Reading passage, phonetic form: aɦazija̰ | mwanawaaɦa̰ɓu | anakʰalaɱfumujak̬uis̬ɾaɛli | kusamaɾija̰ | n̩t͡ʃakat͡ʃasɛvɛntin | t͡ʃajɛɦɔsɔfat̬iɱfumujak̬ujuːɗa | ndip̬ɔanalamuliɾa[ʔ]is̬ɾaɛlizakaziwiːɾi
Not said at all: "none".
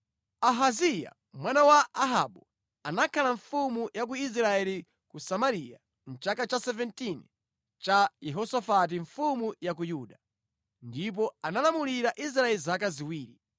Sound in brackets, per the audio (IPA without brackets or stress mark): ʔ